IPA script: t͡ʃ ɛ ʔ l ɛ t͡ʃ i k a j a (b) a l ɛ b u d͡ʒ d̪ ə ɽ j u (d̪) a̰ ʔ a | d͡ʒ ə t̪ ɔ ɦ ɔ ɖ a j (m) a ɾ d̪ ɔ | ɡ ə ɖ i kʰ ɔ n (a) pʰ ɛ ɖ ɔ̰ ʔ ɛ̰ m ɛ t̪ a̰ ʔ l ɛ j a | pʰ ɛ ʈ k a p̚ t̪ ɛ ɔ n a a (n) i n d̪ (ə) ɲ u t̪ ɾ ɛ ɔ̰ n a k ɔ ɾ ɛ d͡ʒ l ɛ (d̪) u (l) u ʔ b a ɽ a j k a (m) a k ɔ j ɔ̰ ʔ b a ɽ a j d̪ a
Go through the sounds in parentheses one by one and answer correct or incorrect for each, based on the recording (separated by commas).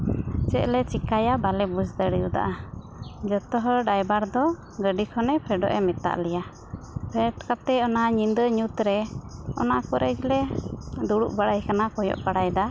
correct, correct, incorrect, incorrect, incorrect, correct, correct, incorrect, incorrect